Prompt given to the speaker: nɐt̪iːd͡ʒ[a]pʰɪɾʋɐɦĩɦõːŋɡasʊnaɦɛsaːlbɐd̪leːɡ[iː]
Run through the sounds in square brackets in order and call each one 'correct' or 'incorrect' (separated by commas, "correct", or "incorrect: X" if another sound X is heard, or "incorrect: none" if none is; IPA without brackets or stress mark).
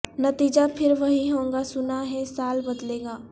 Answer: correct, incorrect: aː